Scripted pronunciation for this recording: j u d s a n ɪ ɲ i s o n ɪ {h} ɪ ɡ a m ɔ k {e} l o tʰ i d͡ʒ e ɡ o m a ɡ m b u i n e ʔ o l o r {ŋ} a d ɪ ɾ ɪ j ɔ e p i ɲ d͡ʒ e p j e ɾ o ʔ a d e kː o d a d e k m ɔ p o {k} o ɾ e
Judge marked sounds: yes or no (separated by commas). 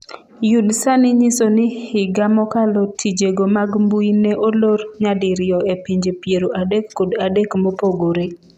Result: yes, no, no, no